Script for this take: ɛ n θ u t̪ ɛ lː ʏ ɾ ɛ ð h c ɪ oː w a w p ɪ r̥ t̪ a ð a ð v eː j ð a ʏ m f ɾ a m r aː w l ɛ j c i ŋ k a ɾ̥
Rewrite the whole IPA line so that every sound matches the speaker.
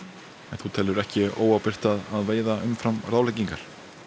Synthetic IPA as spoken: ɛ n θ u t̪ʰ ɛ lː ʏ ɾ ɛ h c ɪ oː w a w p ɪ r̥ t̪ a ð a ð v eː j ð a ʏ m f ɾ a m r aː w l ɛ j c i ŋ k a ɾ̥